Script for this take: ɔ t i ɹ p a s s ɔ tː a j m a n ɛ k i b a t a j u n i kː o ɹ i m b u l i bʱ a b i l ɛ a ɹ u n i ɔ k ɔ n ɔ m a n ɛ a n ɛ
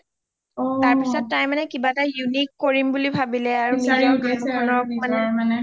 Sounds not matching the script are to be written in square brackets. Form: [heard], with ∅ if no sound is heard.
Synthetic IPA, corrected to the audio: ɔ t [a] ɹ p [i] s s ɔ tː a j m a n ɛ k i b a t a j u n i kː o ɹ i m b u l i bʱ a b i l ɛ a ɹ u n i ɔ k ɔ n ɔ m a n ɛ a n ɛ

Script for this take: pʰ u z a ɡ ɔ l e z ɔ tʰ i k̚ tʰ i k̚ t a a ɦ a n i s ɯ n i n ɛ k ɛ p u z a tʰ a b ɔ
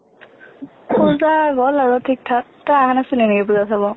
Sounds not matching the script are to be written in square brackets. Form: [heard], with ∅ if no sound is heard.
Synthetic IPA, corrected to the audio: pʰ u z a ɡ ɔ l [a] z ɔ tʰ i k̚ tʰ [a] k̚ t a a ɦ a n [a] s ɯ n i n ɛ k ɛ p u z a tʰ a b ɔ

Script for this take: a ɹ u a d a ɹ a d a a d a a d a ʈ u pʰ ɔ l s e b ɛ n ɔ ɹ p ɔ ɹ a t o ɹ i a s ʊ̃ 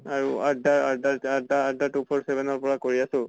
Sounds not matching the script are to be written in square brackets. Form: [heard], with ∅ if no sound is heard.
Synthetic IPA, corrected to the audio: a ɹ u a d a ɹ a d a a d a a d a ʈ u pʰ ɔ [ɹ] s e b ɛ n ɔ ɹ p ɔ ɹ a [k] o ɹ i a s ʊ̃

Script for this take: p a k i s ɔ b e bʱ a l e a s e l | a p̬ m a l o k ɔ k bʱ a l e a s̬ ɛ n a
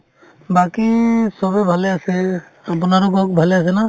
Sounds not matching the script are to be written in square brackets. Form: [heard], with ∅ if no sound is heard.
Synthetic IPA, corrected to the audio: [b] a k i s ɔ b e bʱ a l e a s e [∅] | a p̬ [n] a [ɾ] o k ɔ k bʱ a l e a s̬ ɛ n a

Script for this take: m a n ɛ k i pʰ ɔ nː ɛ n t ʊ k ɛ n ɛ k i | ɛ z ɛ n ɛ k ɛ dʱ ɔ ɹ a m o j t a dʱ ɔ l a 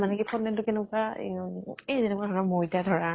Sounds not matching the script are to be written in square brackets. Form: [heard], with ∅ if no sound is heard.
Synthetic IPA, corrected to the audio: m a n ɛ k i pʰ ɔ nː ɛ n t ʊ k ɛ n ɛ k [a] | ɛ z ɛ n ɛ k [a] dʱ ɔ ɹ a m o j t a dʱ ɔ [ɹ] a

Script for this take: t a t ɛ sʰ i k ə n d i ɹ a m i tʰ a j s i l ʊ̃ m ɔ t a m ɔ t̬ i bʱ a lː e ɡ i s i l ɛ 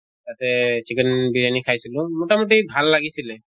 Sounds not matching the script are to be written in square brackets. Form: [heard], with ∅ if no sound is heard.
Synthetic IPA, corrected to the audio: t a t ɛ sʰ i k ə n [b] i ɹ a [n] i [kʰ] a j s i l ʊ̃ m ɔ t a m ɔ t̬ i bʱ a lː [a] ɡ i s i l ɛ

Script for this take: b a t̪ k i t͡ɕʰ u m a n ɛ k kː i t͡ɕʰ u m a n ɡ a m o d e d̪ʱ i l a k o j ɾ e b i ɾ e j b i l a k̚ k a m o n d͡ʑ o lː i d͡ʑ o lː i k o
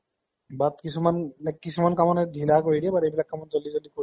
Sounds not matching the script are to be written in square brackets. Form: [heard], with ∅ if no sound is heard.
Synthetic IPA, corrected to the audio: b a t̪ k i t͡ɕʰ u m a n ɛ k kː i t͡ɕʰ u m a n [k] a m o [n] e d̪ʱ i l a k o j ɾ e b [a] ɾ e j b i l a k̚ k a m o n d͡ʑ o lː i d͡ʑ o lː i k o

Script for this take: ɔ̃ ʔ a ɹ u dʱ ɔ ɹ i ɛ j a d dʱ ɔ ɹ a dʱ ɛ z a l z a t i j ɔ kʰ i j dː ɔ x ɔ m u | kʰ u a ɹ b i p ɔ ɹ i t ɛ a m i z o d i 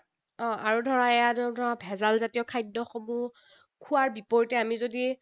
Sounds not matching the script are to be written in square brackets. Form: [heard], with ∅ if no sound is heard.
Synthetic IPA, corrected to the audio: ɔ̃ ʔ a ɹ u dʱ ɔ ɹ [a] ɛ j a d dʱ ɔ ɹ a [bʱ] ɛ z a l z a t i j ɔ kʰ [a] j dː ɔ x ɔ m u | kʰ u a ɹ b i p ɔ ɹ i t ɛ a m i z o d i

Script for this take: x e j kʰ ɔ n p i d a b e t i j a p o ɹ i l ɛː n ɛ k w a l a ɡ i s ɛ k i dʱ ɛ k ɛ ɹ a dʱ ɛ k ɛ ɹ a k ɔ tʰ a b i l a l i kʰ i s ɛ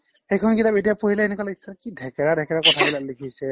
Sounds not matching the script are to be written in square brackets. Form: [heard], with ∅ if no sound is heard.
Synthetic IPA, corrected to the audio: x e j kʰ ɔ n [k] i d a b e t i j a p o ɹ i l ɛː n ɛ k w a l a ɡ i s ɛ k i dʱ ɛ k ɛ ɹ a dʱ ɛ k ɛ ɹ a k ɔ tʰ a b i l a l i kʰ i s ɛ

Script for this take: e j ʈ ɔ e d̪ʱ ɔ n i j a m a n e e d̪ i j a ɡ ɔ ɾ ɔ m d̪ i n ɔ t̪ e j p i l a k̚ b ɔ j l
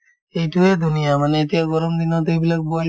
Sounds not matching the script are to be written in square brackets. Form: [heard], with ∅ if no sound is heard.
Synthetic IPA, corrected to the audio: e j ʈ [u] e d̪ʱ [u] n i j a m a n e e [t̪] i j a ɡ ɔ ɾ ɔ m d̪ i n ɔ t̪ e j [b] i l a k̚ b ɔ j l

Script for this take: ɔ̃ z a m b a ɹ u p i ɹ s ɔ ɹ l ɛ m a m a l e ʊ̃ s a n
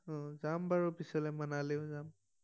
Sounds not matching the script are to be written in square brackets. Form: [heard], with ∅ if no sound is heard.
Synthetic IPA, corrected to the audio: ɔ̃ z a m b a ɹ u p i [∅] s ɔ [∅] l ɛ m a [n] a l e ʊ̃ [z] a [m]

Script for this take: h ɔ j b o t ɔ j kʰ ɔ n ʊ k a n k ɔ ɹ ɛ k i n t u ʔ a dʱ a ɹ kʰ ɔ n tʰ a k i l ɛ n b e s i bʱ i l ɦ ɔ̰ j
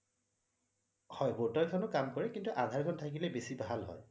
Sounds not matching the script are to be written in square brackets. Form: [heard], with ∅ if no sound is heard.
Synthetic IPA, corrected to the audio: h ɔ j b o t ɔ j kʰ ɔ n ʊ k a [m] k ɔ ɹ ɛ k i n t u ʔ a dʱ a ɹ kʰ ɔ n tʰ a k i l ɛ [∅] b e s i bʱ [a] l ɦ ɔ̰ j

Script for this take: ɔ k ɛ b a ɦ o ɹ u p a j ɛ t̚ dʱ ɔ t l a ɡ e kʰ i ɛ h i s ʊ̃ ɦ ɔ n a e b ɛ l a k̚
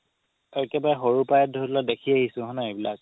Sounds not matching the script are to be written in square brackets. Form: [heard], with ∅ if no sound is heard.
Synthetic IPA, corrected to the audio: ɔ k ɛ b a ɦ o ɹ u p a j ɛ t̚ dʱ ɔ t l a [d] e kʰ i [a] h i s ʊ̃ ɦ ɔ n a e b [i] l a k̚

